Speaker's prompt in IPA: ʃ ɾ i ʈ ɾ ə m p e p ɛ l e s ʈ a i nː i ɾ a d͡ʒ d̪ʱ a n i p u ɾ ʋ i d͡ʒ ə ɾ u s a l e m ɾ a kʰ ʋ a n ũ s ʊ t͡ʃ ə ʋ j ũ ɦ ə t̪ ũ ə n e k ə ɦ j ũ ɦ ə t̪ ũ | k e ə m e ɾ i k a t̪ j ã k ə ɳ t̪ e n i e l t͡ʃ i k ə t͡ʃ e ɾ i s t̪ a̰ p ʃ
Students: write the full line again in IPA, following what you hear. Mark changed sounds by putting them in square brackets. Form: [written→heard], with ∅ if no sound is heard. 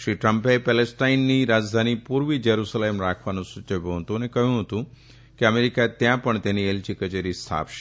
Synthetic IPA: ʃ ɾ i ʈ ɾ ə m p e p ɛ l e s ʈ a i nː i ɾ a d͡ʒ d̪ʱ a n i p u ɾ ʋ i d͡ʒ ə ɾ u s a l e m ɾ a kʰ ʋ a n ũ s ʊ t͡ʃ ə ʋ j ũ ɦ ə t̪ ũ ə n e k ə ɦ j ũ ɦ ə t̪ ũ | k e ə m e ɾ i k a t̪ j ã [k→p] ə ɳ t̪ e n i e l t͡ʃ i k ə t͡ʃ e ɾ i s [t̪→t̪ʰ] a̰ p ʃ

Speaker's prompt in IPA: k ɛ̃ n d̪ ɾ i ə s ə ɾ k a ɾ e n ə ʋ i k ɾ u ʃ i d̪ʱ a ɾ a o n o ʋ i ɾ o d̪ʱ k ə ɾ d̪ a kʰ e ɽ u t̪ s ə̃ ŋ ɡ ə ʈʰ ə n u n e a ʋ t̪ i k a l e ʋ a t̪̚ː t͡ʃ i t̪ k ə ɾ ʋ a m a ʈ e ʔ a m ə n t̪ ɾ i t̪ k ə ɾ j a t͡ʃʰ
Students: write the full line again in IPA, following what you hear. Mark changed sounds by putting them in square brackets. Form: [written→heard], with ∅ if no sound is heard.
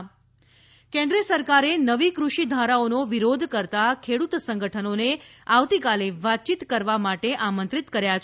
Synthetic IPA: k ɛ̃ n d̪ ɾ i ə s ə ɾ k a ɾ e n ə ʋ i k ɾ u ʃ i d̪ʱ a ɾ a o n o ʋ i ɾ o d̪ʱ k ə ɾ [d̪→t̪] a kʰ e ɽ u t̪ s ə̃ ŋ ɡ ə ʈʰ ə n [u→o] n e a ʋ t̪ i k a l e ʋ a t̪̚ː t͡ʃ i t̪ k ə ɾ ʋ a m a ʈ e ʔ a m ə n t̪ ɾ i t̪ k ə ɾ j a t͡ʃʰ

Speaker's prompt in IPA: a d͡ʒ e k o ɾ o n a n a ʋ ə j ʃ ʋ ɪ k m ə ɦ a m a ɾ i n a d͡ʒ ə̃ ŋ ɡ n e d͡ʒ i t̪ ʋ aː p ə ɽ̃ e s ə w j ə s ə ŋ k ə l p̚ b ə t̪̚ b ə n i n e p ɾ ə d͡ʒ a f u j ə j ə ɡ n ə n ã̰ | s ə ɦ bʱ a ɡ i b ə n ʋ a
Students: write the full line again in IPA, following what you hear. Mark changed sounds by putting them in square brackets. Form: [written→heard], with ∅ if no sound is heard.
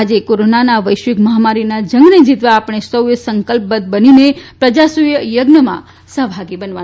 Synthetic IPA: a d͡ʒ e k o ɾ o n a n a ʋ ə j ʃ ʋ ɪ k m ə ɦ a m a ɾ i n a d͡ʒ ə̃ ŋ ɡ n e d͡ʒ i t̪ ʋ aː p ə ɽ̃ e s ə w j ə s ə ŋ k ə l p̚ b ə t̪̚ b ə n i n e p ɾ ə d͡ʒ a [f→s] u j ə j ə ɡ n ə [n→m] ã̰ | s ə ɦ bʱ a ɡ i b ə n ʋ a

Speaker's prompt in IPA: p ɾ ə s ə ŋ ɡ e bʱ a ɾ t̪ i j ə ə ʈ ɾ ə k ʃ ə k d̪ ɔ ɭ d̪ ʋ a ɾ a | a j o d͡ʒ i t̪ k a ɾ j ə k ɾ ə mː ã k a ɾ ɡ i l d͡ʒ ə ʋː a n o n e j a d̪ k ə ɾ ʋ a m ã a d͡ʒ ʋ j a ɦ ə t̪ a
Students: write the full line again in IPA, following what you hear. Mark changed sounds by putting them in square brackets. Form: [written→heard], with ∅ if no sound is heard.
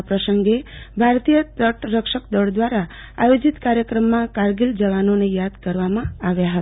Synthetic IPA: p ɾ ə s ə ŋ ɡ e bʱ a ɾ t̪ i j ə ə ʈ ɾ ə k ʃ ə k d̪ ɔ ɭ d̪ ʋ a ɾ a | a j o d͡ʒ i t̪ k a ɾ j ə k ɾ ə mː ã k a ɾ ɡ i l d͡ʒ ə [ʋː→ʋ] a n o n e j a d̪ k ə ɾ ʋ a m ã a [d͡ʒ→∅] ʋ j a ɦ ə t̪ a

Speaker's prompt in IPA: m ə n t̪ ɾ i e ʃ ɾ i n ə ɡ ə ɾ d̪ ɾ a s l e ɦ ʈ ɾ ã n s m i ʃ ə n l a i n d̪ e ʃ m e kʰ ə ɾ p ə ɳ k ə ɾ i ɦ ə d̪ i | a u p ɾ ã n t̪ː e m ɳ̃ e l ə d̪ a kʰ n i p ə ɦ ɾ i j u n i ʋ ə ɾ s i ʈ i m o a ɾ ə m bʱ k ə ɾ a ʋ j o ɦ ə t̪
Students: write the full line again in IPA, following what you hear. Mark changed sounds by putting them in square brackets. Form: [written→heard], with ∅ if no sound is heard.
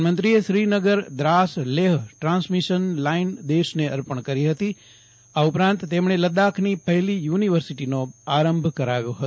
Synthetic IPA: m ə n t̪ ɾ i e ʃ ɾ i n ə ɡ ə ɾ d̪ ɾ a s l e ɦ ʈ ɾ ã n s m i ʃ ə n l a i n d̪ e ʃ [m→n] e [kʰ→∅] ə ɾ p ə ɳ k ə ɾ i ɦ ə [d̪→t̪] i | a u p ɾ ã n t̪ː e m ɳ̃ e l ə d̪ a kʰ n i p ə ɦ [ɾ→l] i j u n i ʋ ə ɾ s i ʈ i [m→n] o a ɾ ə m bʱ k ə ɾ a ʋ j o ɦ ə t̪

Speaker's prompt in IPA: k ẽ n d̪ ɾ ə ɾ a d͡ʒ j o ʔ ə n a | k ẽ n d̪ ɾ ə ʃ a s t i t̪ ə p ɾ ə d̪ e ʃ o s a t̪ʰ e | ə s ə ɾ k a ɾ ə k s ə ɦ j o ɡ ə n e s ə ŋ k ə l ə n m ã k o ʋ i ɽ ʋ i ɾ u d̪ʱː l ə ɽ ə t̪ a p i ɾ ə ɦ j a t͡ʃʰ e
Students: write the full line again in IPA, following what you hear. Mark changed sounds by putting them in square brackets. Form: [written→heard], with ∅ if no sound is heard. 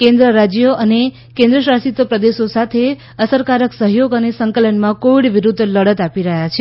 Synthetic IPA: k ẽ n d̪ ɾ ə ɾ a d͡ʒ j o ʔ ə n [a→e] | k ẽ n d̪ ɾ ə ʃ a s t i t̪ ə p ɾ ə d̪ e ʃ o s a t̪ʰ e | ə s ə ɾ k a ɾ ə k s ə ɦ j o ɡ ə n e s ə ŋ k ə l ə n m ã k o ʋ i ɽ ʋ i ɾ u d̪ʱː l ə ɽ ə t̪ a p i ɾ ə ɦ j a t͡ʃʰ e

